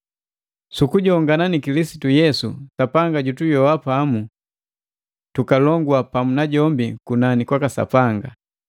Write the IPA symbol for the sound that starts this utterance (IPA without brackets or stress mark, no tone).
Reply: s